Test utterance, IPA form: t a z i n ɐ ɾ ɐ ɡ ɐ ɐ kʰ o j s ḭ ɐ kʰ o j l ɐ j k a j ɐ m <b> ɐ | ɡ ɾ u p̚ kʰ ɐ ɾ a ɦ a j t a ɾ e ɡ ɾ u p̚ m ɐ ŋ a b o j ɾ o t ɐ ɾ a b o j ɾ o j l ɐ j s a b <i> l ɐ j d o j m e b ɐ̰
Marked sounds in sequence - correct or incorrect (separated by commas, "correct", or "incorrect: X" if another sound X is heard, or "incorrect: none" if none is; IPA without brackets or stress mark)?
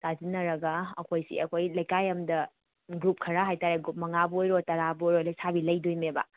incorrect: d, correct